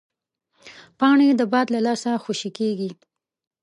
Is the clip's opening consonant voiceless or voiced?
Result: voiceless